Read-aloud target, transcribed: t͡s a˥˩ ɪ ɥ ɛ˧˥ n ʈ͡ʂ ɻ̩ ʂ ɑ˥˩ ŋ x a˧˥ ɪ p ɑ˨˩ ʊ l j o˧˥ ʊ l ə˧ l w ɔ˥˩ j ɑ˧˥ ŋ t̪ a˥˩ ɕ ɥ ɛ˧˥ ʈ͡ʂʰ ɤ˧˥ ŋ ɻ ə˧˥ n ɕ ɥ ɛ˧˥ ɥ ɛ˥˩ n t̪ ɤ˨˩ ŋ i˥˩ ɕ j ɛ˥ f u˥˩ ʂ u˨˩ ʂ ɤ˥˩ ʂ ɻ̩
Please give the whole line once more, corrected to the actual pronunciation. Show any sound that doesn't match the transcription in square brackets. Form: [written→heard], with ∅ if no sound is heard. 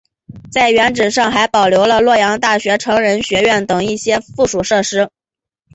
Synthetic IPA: t͡s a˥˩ ɪ ɥ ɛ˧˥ n ʈ͡ʂ ɻ̩ ʂ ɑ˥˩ ŋ x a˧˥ ɪ p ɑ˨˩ ʊ l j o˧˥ ʊ l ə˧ l w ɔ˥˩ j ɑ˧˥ ŋ t̪ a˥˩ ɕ ɥ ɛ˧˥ ʈ͡ʂʰ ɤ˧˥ ŋ ɻ ə˧˥ n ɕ ɥ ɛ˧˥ ɥ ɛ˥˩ n t̪ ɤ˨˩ ŋ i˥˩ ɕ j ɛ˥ f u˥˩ ʂ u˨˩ ʂ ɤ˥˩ ʂ ɻ̩